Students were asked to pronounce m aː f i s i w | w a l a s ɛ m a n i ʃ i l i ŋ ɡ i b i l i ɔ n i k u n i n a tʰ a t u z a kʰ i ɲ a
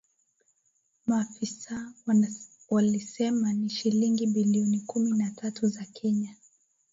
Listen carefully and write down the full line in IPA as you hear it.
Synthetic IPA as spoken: m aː f i s a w | w a l i s ɛ m a n i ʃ i l i ŋ ɡ i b i l i ɔ n i k u m i n a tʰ a t u z a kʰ ɛ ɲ a